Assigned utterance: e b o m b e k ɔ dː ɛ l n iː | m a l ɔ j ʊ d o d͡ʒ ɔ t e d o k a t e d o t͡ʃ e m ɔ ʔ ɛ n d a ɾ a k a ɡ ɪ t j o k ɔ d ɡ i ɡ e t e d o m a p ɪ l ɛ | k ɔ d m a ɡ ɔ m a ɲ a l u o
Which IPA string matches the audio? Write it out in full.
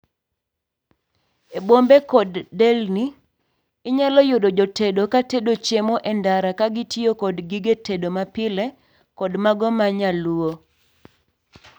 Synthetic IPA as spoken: e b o m b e k ɔ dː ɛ l n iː | ɲ a l ɔ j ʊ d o d͡ʒ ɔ t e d o k a t e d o t͡ʃ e m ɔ ʔ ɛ n d a ɾ a k a ɡ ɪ t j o k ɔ d ɡ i ɡ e t e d o m a p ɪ l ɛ | k ɔ d m a ɡ ɔ m a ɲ a l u o